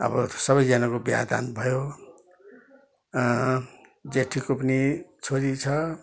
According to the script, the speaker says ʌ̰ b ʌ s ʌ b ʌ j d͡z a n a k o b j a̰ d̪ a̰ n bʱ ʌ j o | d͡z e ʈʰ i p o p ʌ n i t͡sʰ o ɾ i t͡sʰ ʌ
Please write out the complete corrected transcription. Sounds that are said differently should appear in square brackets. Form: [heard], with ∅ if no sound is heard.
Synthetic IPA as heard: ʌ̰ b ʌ s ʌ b ʌ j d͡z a n a k o b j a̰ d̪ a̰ n bʱ ʌ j o | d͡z e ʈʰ i [k] o p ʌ n i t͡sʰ o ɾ i t͡sʰ ʌ